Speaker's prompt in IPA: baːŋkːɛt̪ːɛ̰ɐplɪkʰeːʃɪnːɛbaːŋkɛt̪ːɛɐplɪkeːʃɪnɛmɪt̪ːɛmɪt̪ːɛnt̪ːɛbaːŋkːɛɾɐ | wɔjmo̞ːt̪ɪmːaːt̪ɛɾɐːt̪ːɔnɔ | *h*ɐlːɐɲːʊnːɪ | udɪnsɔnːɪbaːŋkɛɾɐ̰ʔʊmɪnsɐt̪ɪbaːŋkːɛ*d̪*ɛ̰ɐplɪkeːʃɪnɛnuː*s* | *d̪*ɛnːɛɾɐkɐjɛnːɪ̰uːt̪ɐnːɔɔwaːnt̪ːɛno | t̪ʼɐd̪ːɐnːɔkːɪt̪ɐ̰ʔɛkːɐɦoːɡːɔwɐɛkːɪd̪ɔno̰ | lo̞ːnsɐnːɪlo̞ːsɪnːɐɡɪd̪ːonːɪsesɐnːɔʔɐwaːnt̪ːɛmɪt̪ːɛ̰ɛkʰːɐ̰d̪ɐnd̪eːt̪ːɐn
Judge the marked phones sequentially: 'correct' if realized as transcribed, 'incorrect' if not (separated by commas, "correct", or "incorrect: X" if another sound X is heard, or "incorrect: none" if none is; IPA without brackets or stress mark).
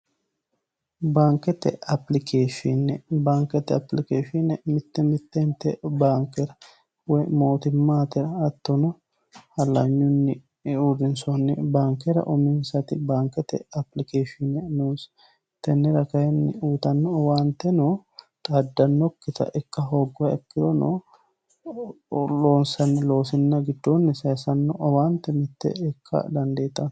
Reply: correct, incorrect: t̪, correct, incorrect: t̪